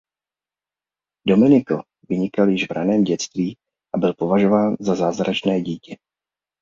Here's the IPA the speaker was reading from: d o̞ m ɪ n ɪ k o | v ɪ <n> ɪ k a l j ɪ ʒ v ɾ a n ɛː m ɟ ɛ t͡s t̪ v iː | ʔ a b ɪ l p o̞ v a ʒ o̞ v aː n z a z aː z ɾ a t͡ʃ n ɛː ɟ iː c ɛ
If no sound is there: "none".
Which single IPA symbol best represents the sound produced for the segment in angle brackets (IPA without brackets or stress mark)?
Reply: ɲ